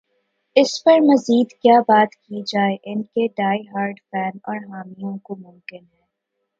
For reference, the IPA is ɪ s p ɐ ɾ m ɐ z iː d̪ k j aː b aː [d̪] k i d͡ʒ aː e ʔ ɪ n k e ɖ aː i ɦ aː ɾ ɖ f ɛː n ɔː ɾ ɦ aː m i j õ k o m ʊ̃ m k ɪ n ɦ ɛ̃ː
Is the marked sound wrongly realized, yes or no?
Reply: yes